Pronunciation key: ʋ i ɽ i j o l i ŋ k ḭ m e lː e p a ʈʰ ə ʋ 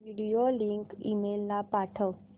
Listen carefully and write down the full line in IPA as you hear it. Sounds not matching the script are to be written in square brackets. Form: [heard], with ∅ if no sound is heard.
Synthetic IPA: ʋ i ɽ i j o l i ŋ k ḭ m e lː [a] p a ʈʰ ə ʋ